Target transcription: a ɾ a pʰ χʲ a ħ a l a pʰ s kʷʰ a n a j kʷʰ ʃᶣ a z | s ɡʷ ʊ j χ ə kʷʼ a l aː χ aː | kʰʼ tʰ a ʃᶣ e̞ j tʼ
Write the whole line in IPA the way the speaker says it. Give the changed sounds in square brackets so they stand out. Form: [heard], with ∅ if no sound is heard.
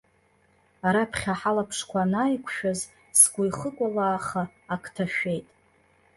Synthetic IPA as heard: a ɾ a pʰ χʲ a ħ a l a pʰ [ʂ] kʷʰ a n a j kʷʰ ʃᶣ a z | s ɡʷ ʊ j χ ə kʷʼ a l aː χ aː | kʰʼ tʰ a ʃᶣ e̞ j tʼ